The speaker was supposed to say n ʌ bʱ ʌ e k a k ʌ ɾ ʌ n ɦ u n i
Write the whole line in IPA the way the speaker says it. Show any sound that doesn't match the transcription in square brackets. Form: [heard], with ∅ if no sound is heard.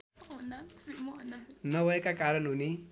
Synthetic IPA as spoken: n ʌ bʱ ʌ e k a k [a] ɾ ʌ n ɦ u n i